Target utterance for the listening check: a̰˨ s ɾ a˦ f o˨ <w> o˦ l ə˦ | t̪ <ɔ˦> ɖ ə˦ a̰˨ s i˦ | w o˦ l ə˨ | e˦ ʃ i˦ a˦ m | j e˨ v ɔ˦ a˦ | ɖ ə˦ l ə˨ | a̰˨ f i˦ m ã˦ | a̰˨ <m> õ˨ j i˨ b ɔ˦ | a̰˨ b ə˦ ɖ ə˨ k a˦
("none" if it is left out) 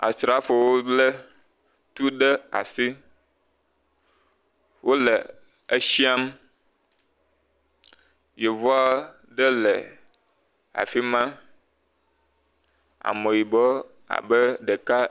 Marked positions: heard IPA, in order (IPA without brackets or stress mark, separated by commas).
w, u˦, m